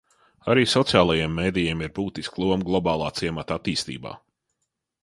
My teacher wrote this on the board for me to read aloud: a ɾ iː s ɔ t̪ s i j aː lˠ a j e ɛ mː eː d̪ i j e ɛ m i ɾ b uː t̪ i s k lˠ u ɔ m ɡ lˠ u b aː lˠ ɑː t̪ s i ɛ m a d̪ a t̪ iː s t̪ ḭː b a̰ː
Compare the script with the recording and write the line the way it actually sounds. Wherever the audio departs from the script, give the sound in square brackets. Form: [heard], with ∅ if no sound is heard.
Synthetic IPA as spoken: a ɾ iː s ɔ t̪ s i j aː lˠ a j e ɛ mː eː d̪ i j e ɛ m i ɾ b uː t̪ i s k lˠ u ɔ m ɡ lˠ [ɔ] b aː lˠ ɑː t̪ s i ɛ m a [t̪] a t̪ iː s t̪ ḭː b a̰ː